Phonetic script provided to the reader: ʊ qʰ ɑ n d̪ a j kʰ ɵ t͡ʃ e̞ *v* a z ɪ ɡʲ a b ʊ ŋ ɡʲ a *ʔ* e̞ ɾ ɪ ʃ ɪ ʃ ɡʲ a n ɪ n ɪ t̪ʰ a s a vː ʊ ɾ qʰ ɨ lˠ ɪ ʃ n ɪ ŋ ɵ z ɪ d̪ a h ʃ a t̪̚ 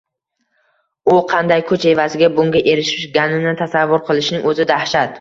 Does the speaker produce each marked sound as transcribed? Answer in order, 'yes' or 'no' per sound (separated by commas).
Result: yes, yes